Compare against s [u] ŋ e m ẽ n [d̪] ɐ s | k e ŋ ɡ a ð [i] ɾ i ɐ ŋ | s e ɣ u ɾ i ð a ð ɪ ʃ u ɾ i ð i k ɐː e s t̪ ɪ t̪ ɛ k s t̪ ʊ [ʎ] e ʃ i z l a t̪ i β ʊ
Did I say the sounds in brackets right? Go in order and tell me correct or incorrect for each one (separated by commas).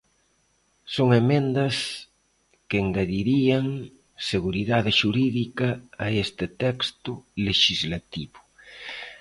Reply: incorrect, correct, correct, incorrect